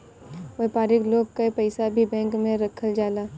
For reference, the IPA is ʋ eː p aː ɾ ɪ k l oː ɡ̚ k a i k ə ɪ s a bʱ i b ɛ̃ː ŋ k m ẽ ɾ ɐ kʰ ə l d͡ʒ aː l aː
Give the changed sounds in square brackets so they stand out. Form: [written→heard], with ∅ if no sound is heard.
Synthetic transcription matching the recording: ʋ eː p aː ɾ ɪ k l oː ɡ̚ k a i [k→p] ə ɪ s a bʱ i b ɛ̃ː ŋ k m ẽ ɾ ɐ kʰ ə l d͡ʒ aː l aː